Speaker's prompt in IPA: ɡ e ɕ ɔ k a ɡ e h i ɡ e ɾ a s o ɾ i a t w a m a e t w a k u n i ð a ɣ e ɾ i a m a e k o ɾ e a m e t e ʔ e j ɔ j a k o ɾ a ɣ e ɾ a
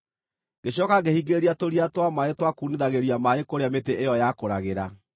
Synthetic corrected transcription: ɡ e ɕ ɔ k a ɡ e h i ɡ e ɾ a t o ɾ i a t w a m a e t w a k u n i ð a ɣ e ɾ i a m a e k o ɾ e a m e t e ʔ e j ɔ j a k o ɾ a ɣ e ɾ a